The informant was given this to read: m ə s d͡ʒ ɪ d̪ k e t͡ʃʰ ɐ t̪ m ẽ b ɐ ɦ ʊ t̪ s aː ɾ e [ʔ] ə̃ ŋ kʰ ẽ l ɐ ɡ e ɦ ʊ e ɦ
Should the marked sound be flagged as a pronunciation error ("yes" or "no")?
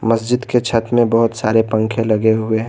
yes